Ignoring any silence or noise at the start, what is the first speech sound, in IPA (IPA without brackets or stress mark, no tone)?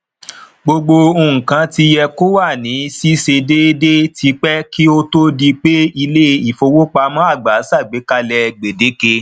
ɡ͡b